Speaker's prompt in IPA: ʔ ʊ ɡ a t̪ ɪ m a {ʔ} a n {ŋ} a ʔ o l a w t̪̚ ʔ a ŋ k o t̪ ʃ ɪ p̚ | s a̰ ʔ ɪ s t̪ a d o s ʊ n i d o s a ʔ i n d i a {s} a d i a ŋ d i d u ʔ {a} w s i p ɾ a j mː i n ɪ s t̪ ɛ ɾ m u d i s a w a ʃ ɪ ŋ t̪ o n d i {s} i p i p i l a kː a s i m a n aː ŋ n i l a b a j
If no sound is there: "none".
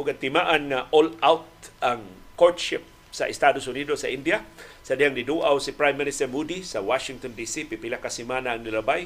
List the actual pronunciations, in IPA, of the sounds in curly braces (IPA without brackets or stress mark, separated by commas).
ʔ, ŋ, s, a, s